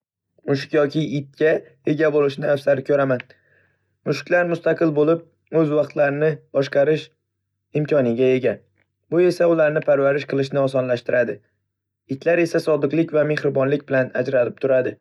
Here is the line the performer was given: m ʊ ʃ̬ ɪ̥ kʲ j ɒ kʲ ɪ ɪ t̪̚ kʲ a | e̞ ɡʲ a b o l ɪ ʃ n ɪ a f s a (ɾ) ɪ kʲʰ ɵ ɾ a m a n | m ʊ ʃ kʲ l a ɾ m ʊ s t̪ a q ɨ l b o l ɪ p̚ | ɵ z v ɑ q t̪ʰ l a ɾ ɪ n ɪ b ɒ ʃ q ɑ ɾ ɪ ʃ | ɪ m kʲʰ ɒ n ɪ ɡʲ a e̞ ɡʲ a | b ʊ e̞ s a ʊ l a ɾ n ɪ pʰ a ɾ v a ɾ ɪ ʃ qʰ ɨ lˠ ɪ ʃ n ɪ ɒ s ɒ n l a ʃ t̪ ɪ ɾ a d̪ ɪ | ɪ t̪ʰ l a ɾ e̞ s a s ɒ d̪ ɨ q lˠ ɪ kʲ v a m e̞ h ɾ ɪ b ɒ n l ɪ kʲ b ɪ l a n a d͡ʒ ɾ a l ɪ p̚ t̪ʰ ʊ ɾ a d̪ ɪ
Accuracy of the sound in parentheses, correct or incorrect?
correct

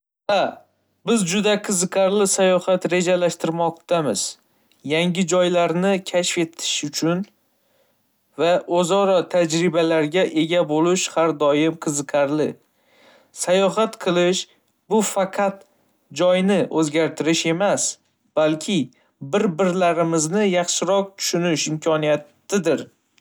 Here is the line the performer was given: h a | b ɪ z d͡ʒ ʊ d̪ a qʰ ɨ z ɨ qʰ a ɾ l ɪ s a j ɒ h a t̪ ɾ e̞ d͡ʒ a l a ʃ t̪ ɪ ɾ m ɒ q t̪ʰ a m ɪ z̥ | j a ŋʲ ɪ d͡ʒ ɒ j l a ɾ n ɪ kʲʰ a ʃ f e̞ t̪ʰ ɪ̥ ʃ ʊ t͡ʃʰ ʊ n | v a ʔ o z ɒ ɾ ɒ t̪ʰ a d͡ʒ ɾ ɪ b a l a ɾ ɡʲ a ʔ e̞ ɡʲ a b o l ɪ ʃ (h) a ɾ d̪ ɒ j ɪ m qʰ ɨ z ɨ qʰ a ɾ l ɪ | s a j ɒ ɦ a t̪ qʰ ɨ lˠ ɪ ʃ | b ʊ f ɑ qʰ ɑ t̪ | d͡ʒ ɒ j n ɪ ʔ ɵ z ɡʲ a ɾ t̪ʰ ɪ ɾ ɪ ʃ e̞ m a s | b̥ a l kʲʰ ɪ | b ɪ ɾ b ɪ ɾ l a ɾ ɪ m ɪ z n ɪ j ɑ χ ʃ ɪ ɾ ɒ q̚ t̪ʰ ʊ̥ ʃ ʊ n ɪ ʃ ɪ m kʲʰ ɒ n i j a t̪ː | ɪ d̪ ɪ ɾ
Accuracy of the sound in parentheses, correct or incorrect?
correct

